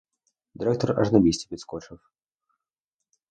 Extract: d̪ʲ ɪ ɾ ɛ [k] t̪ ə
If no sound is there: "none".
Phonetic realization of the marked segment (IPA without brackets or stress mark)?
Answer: k